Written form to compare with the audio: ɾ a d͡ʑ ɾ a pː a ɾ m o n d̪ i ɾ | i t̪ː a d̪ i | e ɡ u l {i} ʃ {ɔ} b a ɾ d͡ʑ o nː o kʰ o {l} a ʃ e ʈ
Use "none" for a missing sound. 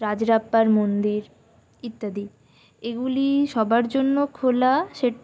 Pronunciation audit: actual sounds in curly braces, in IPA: i, ɔ, l

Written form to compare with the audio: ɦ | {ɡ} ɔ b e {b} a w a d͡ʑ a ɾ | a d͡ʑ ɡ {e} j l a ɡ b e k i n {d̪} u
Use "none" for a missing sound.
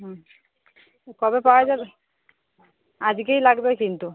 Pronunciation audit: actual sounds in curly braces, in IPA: k, p, e, t̪

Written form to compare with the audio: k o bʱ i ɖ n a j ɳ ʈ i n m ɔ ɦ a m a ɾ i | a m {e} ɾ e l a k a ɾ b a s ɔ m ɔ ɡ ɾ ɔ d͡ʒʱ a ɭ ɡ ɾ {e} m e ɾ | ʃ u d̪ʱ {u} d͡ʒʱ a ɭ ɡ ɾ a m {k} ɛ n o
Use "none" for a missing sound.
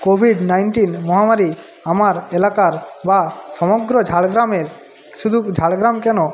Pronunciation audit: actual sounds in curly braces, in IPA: a, a, u, k

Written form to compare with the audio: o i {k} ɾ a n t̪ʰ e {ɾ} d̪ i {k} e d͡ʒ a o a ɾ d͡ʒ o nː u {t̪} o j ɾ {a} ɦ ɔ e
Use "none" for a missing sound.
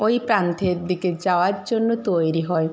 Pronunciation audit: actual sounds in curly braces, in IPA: p, ɾ, k, t̪, i

